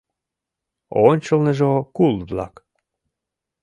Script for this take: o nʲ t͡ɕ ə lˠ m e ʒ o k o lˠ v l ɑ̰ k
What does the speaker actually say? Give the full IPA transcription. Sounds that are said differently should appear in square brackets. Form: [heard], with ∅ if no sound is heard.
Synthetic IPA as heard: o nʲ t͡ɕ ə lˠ [n] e ʒ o k [u] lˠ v l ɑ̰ k

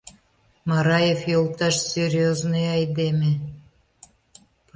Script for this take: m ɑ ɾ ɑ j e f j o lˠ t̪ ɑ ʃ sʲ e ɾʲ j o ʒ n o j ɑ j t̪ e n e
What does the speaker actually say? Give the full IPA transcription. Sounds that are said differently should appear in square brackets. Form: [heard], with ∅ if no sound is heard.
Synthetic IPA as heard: m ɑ ɾ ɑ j e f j o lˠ t̪ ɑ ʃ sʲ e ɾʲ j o [z] n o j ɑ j [d̪] e [m] e

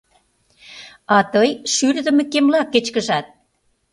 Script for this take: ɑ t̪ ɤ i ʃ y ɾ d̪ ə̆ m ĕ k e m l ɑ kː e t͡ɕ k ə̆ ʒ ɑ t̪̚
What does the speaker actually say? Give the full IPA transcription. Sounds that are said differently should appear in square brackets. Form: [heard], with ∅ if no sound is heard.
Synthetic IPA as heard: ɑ t̪ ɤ [j] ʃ y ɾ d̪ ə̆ m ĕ k e m l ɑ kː e t͡ɕ k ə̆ ʒ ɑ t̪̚

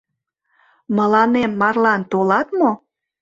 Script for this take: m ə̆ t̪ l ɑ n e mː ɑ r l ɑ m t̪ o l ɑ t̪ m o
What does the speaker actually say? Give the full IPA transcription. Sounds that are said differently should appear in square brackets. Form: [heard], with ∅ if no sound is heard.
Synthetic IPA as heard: m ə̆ [∅] l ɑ n e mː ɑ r l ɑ [n] t̪ o l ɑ t̪ m o

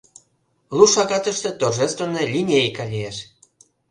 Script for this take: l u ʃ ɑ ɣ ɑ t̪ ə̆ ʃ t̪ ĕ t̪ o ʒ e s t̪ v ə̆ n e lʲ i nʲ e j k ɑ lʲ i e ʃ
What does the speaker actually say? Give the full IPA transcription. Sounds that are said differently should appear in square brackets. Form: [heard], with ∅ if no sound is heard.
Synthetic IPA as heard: l u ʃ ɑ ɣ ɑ t̪ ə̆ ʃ t̪ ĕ t̪ o ʒ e s t̪ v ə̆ n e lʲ i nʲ e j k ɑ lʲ i e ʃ

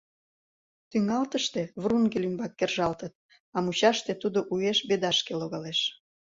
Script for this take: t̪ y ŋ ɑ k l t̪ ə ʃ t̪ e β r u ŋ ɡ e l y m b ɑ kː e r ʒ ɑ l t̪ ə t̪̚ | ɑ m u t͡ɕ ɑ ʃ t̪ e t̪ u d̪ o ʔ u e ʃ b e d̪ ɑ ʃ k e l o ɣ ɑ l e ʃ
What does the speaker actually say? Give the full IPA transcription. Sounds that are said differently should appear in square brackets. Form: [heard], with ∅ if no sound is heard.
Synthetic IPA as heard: t̪ y ŋ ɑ [∅] l t̪ ə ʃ t̪ e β r u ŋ ɡ e l y m b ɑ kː e r ʒ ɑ l t̪ ə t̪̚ | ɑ m u t͡ɕ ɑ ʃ t̪ e t̪ u d̪ o ʔ u e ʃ b e d̪ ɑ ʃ k e l o ɣ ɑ l e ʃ

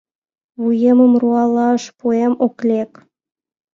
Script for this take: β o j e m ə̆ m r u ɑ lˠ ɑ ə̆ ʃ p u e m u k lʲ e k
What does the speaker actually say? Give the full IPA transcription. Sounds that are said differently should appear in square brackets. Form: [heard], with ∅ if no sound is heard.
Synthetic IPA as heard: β [u] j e m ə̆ m r u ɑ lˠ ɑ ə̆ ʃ p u e m [o] k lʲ e k

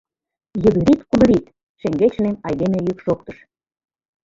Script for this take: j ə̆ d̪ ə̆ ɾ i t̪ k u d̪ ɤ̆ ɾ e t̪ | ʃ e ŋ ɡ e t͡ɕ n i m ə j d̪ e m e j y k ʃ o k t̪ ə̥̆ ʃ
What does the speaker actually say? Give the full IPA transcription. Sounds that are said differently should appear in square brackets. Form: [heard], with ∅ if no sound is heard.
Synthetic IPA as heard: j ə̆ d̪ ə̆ ɾ i t̪ k u d̪ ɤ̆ ɾ [i] t̪ | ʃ e ŋ ɡ e t͡ɕ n [e] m [ɑ] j d̪ e m e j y k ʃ o k t̪ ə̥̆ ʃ

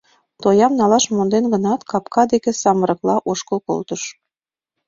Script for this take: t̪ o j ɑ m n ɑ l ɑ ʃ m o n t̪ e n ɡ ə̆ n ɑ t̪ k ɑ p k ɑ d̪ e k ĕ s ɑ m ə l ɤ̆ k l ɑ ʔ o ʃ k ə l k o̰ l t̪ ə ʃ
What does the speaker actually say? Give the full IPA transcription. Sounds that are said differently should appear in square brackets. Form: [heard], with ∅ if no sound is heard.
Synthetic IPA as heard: t̪ o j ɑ m n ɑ l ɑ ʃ m o n [d̪] e n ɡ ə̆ n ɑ t̪ k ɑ p k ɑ d̪ e k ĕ s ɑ m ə [ɾ] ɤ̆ k l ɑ ʔ o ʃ k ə l k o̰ l t̪ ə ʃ

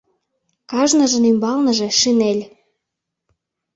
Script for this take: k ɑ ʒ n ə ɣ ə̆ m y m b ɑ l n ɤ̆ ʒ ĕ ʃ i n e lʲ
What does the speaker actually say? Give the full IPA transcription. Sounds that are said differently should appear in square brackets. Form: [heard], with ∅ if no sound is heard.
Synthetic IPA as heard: k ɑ ʒ n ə [ʒ] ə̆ [n] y m b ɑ l n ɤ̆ ʒ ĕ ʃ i n e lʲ

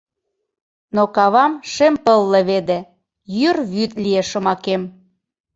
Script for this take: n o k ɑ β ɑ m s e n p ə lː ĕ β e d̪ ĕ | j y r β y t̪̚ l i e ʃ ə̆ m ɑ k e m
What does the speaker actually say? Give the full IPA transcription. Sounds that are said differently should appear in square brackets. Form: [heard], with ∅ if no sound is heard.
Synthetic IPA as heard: n o k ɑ β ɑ m [ʃ] e [m] p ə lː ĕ β e d̪ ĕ | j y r β y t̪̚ l i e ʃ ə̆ m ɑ k e m

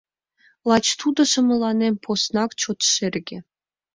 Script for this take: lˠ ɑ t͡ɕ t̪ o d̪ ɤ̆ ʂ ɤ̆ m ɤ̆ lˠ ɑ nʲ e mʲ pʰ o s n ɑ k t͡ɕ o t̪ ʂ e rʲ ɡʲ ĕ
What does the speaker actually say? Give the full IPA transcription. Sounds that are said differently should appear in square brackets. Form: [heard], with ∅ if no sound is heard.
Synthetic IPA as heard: lˠ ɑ t͡ɕ t̪ [u] d̪ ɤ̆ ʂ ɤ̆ m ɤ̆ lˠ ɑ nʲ e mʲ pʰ o s n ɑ k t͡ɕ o t̪ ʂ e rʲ ɡʲ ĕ

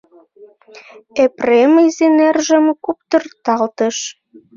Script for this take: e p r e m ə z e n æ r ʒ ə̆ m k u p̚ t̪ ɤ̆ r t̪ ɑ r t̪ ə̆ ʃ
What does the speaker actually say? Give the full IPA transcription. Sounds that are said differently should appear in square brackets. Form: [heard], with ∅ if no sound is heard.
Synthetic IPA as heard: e p r e m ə z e n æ r ʒ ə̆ m k u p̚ t̪ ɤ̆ r t̪ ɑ [l] t̪ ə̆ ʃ

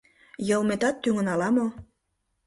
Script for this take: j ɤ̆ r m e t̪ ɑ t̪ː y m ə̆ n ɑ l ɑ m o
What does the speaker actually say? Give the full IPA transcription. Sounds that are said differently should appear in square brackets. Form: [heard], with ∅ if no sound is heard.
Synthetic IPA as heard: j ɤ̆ [l] m e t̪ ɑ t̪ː y [ŋ] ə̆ n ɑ l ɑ m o

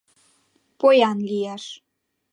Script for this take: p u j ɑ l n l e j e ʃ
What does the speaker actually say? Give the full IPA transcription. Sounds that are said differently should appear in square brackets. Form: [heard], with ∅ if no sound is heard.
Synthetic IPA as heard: p [o] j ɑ [∅] n l [i] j [æ] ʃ

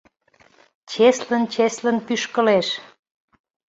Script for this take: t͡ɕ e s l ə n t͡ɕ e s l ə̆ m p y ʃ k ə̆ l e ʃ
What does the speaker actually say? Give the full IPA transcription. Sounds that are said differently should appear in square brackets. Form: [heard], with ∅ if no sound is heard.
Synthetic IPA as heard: t͡ɕ e s l ə n t͡ɕ e s l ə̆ [n] p y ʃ k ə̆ l e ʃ

